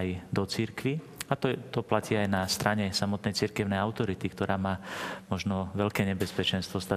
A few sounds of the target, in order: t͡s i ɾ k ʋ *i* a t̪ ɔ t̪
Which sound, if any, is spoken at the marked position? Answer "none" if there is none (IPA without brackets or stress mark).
i